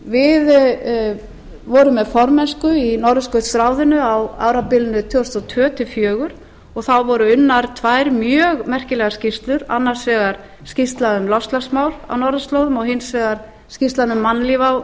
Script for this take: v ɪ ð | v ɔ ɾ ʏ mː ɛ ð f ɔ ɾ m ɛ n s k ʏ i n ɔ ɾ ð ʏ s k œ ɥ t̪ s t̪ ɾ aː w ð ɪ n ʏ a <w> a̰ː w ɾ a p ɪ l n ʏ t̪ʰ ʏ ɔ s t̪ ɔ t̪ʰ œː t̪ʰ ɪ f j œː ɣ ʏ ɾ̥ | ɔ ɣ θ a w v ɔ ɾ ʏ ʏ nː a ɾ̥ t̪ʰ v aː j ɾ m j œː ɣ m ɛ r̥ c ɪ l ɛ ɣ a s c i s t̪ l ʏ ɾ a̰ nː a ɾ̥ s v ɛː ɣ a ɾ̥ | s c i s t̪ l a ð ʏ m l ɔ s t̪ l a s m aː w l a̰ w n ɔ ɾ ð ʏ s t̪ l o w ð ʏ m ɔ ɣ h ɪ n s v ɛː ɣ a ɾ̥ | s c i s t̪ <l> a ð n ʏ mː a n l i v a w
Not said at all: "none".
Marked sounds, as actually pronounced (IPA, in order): w, l

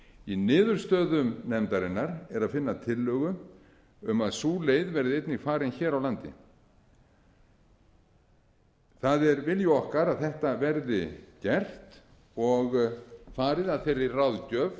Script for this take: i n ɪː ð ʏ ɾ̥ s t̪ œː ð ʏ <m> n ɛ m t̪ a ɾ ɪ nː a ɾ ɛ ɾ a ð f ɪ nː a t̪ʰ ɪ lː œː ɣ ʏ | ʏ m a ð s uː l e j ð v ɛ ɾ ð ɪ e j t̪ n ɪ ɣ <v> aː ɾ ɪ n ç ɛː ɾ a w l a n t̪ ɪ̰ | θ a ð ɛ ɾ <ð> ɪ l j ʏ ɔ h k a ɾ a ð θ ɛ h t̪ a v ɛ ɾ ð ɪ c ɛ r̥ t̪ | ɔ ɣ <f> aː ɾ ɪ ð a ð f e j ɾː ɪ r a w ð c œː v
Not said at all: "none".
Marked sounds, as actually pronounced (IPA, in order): m, f, v, f

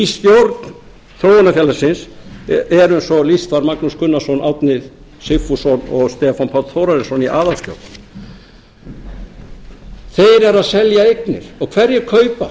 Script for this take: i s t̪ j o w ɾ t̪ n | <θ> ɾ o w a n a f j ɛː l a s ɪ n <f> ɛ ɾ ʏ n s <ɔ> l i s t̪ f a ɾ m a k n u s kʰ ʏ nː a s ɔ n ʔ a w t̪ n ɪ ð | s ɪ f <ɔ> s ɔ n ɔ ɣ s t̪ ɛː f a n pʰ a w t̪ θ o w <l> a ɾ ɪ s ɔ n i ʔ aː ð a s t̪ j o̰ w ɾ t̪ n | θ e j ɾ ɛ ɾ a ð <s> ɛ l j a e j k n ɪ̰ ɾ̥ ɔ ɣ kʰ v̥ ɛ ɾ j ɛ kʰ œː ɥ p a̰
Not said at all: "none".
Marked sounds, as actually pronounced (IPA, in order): θ, s, ɔ, u, ɾ, s

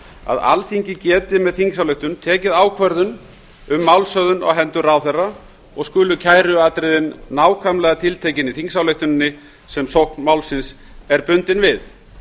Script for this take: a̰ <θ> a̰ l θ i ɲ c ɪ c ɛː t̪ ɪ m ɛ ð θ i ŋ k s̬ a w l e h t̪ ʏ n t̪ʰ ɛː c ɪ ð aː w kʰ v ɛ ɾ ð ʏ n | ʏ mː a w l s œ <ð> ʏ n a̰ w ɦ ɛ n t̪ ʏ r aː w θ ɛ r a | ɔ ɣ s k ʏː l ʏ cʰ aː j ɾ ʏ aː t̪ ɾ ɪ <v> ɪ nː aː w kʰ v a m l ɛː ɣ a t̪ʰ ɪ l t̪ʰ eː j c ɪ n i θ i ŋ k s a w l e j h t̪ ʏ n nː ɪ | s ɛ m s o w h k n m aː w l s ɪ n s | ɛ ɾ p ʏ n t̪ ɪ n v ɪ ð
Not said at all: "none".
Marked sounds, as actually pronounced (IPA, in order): ð, ð, ð

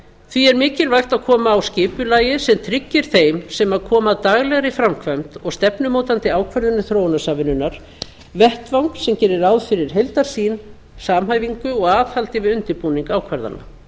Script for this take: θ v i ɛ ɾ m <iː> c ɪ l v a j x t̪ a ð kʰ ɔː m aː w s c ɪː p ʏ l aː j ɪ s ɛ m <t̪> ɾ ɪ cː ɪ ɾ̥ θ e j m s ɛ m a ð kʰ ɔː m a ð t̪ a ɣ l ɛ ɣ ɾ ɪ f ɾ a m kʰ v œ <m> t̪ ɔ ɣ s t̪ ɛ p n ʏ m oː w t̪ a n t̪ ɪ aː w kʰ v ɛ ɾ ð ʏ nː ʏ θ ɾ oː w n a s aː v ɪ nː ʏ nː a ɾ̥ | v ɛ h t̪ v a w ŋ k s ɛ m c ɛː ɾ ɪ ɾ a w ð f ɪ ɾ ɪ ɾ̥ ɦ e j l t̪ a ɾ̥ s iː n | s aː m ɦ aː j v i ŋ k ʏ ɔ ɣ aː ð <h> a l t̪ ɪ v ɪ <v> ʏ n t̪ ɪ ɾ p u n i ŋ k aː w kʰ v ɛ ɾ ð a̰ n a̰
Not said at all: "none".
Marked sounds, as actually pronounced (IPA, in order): ɪː, t̪ʰ, m, h, ð

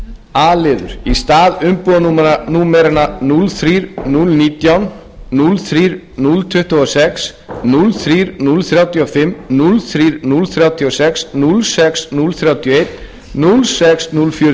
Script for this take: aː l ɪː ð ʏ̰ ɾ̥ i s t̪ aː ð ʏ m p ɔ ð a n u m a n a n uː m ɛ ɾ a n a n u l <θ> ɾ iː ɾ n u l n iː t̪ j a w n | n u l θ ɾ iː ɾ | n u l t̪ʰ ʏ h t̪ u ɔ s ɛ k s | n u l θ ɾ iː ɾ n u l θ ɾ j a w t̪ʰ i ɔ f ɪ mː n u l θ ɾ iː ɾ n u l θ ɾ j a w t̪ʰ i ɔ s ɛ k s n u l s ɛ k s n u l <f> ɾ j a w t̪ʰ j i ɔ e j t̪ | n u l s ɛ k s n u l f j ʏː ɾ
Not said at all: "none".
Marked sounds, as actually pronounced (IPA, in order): θ, θ

